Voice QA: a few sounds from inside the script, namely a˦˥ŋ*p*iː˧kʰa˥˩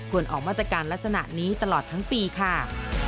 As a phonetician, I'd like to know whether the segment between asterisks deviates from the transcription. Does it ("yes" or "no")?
no